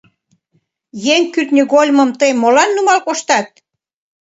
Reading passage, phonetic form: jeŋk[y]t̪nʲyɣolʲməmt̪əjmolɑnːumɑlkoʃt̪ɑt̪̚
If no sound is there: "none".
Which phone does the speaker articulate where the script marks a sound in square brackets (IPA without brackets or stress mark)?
y